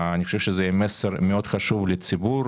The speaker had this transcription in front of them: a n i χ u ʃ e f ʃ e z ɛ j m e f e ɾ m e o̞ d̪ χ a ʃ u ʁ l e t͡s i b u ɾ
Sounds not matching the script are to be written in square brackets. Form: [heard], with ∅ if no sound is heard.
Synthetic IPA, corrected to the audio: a n i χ [o] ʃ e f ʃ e z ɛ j m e [s] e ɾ m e o̞ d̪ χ a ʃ u [v] l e t͡s i b u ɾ